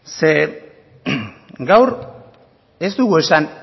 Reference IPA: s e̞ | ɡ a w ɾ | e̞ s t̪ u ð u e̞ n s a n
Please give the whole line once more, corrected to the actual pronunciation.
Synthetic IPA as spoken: s e̞ | ɡ a w ɾ | e̞ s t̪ u ɣ u e̞ s a n